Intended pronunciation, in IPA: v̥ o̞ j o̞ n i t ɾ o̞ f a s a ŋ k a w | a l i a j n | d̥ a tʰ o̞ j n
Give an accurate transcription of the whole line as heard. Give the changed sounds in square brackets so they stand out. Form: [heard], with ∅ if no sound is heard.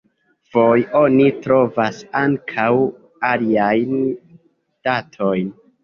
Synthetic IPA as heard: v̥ o̞ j o̞ n i t ɾ o̞ [v] a s a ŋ [kʰ] a w | a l i a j n | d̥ a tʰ o̞ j n

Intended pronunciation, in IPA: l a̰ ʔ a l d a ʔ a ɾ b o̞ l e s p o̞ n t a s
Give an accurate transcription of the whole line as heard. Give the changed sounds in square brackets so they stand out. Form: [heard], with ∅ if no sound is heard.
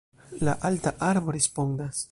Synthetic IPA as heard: l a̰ ʔ a l [t] a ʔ a ɾ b o̞ [ɾ] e s p o̞ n [d] a s

